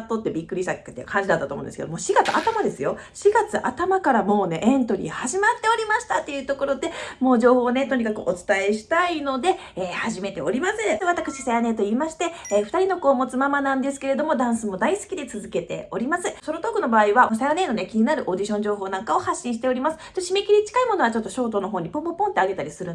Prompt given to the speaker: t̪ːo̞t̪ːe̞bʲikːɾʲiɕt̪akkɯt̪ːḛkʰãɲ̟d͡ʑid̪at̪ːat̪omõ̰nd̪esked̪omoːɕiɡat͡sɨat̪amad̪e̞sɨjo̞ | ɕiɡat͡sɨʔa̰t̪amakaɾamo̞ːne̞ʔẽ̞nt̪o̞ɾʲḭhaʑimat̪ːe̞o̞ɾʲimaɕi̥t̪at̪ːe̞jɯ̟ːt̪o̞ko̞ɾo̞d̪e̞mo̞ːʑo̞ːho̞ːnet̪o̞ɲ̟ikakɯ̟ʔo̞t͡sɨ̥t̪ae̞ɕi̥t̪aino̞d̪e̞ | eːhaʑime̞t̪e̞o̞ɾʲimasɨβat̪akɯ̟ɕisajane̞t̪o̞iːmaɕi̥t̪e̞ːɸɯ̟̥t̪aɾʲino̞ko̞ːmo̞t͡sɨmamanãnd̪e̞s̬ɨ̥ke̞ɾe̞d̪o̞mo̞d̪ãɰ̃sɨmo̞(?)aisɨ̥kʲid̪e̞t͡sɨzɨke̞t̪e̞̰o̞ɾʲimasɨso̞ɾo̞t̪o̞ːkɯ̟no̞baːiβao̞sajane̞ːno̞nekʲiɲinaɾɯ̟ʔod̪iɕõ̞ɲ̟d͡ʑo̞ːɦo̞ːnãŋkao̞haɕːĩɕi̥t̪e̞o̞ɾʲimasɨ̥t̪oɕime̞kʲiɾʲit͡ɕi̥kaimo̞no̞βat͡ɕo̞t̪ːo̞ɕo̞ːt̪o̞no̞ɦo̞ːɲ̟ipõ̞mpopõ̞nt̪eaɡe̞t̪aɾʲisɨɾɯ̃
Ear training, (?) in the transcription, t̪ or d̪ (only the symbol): d̪